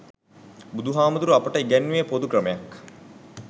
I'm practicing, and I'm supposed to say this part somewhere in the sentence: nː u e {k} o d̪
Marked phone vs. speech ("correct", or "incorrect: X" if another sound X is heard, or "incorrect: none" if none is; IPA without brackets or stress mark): incorrect: p